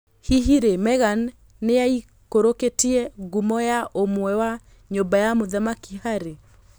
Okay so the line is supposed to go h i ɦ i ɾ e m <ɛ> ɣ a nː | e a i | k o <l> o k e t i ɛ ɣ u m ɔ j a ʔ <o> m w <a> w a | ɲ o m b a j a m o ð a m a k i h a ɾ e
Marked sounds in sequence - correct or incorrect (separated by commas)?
correct, incorrect, correct, incorrect